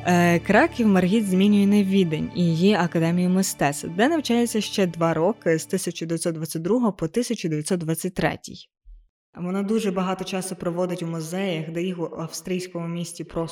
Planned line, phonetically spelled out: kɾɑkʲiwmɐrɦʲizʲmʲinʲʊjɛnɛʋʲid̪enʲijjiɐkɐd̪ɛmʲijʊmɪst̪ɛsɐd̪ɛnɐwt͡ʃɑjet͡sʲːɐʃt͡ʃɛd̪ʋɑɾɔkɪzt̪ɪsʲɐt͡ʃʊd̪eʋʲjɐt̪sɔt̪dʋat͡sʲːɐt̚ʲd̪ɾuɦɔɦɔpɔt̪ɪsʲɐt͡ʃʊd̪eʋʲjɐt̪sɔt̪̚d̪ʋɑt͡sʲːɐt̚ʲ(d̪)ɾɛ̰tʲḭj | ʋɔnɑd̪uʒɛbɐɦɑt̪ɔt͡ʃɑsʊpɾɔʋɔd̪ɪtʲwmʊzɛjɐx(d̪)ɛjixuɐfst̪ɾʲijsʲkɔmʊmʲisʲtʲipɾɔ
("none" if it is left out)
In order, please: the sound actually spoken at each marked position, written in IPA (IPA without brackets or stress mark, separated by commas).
t̪, d̪